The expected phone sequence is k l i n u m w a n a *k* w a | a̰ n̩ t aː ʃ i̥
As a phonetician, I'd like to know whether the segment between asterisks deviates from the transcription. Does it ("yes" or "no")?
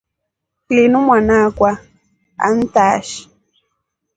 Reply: no